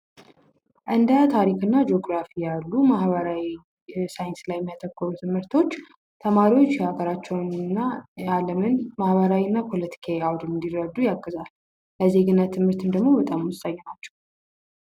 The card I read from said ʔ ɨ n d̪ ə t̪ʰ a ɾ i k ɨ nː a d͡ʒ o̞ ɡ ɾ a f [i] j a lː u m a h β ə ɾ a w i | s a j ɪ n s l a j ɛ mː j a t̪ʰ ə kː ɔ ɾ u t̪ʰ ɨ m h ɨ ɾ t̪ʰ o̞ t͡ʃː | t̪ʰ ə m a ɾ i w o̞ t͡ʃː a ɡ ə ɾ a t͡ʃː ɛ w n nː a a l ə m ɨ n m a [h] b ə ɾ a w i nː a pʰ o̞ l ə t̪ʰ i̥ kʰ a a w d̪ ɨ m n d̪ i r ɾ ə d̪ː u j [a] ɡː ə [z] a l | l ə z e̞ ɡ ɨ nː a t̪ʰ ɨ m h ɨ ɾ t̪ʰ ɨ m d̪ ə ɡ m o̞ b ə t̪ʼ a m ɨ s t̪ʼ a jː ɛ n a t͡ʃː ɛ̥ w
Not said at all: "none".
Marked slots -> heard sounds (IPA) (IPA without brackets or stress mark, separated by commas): i, h, a, z